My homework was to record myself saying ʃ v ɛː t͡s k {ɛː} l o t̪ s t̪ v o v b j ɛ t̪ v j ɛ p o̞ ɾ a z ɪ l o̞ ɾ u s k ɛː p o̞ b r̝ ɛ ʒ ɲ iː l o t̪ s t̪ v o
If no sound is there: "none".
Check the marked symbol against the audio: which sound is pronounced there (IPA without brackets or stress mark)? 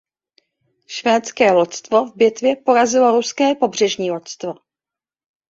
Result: ɛː